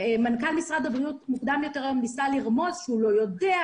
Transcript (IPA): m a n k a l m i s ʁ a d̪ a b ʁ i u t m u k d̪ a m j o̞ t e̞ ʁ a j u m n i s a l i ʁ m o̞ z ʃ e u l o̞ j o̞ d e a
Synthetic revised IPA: m a n k a l m i s ʁ a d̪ a b ʁ i u t m u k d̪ a m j o̞ t e̞ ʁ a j o m n i s a l i ʁ m o̞ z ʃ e u l o̞ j o̞ d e a